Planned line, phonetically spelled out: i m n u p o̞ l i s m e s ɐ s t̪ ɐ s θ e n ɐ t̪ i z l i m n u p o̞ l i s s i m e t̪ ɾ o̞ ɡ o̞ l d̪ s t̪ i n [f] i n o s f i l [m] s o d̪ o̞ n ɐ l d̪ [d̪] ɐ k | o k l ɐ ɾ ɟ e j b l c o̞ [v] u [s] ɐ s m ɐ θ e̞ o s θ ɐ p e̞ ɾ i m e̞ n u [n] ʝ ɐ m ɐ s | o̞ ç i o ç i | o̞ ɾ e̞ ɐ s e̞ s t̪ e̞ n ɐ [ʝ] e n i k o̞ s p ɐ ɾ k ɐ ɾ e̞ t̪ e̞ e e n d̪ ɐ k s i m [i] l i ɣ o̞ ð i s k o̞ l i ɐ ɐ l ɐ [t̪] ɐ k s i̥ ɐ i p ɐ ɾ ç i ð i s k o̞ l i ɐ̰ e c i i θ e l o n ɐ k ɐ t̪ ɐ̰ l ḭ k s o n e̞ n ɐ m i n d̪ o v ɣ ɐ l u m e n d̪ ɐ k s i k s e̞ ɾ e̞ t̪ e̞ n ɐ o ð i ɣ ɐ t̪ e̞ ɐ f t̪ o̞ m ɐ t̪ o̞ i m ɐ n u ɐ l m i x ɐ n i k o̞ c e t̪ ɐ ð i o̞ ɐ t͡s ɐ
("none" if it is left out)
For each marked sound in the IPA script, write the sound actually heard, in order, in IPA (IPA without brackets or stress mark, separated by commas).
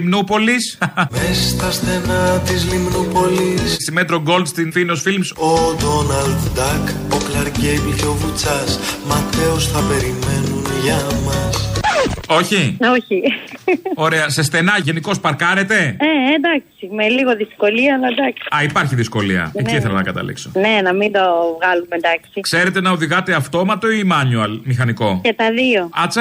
f, m, d̪, v, t͡s, n, ʝ, e, d̪